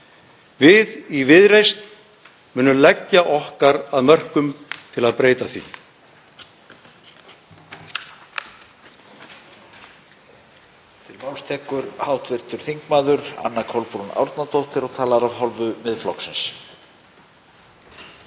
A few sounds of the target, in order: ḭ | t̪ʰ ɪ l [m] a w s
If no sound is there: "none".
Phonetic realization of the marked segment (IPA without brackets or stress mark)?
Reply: m